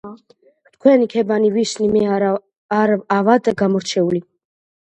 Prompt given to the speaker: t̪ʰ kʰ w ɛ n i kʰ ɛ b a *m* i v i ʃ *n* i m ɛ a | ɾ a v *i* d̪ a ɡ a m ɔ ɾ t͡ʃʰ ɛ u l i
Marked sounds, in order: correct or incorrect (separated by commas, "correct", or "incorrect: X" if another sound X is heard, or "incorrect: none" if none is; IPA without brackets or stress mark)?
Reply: incorrect: n, correct, incorrect: a